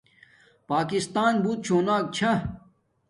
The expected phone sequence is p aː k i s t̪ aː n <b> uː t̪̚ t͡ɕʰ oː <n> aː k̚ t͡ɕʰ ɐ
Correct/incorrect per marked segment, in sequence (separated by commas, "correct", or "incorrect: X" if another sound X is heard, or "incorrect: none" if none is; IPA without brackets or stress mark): correct, correct